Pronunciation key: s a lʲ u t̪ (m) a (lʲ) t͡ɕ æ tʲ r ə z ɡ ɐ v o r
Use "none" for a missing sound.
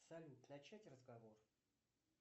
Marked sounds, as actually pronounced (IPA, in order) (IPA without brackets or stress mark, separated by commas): n, none